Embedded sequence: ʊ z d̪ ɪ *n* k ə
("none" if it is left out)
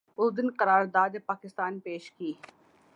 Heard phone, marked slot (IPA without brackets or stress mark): n